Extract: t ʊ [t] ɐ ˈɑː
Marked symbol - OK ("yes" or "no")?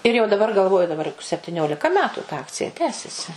yes